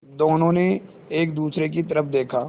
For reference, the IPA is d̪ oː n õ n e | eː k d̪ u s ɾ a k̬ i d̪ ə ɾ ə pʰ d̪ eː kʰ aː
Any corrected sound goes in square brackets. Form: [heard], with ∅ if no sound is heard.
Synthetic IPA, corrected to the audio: d̪ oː n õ n e | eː k d̪ [uː] s ɾ [e] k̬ i [t̪] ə ɾ ə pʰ d̪ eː kʰ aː